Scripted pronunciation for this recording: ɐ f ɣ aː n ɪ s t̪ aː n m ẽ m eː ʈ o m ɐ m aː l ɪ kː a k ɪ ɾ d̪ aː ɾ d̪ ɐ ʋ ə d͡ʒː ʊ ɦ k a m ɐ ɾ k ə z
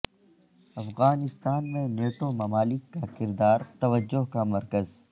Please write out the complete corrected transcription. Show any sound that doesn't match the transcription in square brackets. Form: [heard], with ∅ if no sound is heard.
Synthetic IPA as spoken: ɐ f ɣ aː n ɪ s t̪ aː n m ẽ [n] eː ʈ o m ɐ m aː l ɪ kː a k ɪ ɾ d̪ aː ɾ [t̪] ɐ ʋ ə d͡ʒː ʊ ɦ k a m ɐ ɾ k ə z